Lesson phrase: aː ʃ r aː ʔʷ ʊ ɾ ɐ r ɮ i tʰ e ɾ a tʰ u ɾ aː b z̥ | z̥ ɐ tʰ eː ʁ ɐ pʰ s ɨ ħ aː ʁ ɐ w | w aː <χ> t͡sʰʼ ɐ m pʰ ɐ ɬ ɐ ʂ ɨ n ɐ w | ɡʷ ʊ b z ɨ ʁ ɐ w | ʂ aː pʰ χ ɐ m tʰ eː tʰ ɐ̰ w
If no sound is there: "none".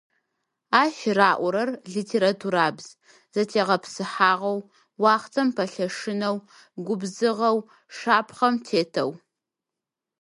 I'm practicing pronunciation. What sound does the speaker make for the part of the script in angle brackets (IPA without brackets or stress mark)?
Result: χ